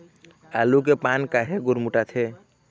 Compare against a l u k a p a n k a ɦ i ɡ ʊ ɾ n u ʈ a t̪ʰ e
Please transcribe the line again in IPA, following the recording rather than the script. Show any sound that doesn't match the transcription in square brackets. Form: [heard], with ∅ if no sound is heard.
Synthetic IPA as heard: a l u k [e] p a n k a ɦ [e] ɡ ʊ ɾ [m] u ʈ a t̪ʰ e